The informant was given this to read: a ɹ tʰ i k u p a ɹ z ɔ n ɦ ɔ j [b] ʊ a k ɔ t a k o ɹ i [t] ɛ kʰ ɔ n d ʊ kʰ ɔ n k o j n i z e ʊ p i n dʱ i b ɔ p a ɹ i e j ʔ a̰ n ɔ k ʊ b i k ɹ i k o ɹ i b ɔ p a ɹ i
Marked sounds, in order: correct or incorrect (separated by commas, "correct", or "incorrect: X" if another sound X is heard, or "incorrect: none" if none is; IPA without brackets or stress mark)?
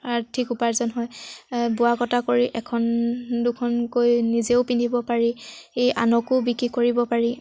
correct, incorrect: ʔ